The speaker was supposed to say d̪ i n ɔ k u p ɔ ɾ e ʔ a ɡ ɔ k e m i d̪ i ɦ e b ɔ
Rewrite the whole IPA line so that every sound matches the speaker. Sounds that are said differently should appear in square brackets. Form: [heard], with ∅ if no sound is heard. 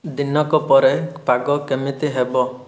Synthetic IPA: d̪ i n ɔ k [ɔ] p ɔ ɾ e [p] a ɡ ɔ k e m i [t̪] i ɦ e b ɔ